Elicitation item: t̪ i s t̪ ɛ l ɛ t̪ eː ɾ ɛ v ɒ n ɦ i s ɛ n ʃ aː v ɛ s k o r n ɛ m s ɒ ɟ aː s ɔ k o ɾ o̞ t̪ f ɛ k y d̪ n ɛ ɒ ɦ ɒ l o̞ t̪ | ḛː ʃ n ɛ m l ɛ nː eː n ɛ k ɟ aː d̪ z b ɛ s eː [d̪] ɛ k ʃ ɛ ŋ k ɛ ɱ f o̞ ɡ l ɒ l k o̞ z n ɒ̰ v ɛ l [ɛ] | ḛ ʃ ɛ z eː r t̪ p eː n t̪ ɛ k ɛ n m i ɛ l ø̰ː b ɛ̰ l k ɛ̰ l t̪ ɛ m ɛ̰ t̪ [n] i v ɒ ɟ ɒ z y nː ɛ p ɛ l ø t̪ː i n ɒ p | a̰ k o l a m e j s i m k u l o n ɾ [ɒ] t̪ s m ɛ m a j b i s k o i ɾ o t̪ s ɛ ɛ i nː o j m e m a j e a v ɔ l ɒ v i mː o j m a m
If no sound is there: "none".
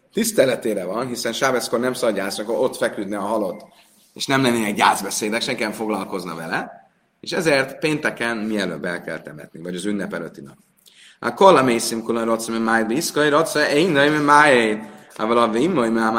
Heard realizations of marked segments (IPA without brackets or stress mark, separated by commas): d̪, ɛ, n, o